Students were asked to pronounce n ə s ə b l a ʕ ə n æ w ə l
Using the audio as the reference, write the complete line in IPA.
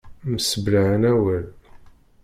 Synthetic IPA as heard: m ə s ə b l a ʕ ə n æ w ə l